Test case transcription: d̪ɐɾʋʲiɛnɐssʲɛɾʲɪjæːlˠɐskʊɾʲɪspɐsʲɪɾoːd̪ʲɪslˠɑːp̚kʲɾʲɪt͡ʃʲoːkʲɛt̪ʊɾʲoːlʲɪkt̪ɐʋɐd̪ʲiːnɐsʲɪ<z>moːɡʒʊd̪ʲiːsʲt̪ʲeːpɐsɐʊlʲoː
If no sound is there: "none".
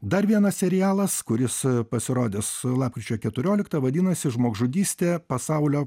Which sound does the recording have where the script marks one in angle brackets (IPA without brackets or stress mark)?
ʒ